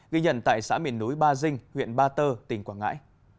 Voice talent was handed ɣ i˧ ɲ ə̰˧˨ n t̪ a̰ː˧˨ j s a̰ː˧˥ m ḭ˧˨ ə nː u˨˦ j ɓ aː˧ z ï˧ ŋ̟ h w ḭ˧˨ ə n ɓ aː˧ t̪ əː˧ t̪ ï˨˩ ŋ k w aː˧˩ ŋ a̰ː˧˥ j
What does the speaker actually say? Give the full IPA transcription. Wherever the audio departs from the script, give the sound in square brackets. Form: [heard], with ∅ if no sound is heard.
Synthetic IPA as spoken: ɣ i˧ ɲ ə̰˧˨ n t̪ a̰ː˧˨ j s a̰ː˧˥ m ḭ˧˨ ə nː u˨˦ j ɓ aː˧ z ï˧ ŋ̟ h w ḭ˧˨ ə n ɓ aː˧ t̪ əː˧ t̪ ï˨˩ ŋ k w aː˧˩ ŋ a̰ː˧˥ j